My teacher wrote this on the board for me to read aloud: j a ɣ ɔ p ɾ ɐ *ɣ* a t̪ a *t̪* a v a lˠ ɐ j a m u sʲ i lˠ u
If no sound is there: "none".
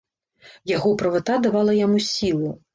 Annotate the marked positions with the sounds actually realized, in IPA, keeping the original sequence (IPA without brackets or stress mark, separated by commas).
v, d̪